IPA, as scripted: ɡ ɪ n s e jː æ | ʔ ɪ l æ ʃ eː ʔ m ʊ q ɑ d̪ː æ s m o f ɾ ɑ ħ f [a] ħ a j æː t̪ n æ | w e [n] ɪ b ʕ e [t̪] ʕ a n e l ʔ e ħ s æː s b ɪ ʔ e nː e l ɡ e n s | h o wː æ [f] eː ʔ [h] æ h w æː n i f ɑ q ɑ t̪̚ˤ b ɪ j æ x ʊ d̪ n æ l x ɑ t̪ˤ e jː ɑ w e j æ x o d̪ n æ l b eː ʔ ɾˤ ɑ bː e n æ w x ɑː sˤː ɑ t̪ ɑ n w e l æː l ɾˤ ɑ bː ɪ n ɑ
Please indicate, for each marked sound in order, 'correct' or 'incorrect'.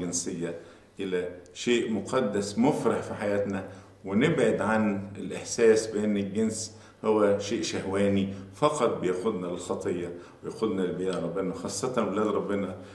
incorrect: i, correct, incorrect: d̪, incorrect: ʃ, incorrect: ʃ

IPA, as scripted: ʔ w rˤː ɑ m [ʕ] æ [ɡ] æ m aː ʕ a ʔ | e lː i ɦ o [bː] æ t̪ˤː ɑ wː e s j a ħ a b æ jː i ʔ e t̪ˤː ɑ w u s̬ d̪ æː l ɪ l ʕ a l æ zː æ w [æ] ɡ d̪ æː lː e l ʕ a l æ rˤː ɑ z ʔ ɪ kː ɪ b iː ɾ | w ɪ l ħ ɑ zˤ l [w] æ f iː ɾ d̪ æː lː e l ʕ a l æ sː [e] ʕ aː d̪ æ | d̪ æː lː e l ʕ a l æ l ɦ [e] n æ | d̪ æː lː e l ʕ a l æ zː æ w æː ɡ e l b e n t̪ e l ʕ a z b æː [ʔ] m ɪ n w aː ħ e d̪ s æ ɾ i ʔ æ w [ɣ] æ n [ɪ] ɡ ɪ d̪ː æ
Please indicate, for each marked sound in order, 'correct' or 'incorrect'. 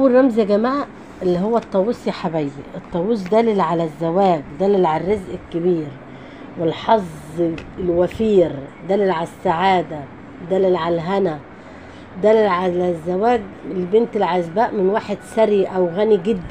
incorrect: z, correct, incorrect: wː, incorrect: æː, correct, incorrect: a, incorrect: æ, correct, correct, incorrect: i

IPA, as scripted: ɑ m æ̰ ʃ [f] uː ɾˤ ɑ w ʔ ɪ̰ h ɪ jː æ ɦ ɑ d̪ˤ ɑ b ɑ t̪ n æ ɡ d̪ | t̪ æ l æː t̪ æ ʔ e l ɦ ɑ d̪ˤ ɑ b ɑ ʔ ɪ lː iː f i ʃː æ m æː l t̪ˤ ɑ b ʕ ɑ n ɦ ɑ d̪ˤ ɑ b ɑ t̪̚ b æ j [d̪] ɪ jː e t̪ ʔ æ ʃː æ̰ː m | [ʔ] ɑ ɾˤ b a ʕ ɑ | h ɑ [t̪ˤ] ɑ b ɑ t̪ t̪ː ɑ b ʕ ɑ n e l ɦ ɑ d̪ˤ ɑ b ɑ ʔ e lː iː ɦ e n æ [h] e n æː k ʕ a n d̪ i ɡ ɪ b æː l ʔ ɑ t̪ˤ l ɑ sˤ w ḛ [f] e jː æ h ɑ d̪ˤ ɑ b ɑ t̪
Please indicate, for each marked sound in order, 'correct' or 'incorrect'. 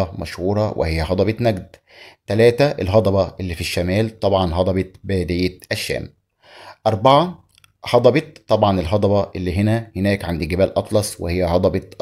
incorrect: h, correct, correct, incorrect: d̪ˤ, correct, incorrect: h

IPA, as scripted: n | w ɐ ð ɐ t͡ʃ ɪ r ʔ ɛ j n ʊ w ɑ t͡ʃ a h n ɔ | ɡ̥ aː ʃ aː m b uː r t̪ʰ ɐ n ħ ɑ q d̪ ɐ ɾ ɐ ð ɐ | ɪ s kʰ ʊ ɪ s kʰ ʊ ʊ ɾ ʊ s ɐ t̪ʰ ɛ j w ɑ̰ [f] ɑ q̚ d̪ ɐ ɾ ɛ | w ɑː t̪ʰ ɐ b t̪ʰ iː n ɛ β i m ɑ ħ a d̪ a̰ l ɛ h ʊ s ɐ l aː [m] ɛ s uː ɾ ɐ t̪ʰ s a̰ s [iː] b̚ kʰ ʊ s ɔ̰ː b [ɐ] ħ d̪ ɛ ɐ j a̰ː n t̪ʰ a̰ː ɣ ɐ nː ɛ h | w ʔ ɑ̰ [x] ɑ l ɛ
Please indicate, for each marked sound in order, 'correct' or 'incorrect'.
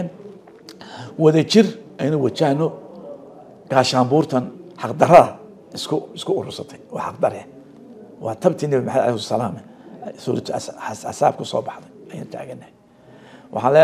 incorrect: ħ, correct, incorrect: aː, incorrect: ɑ, incorrect: ħ

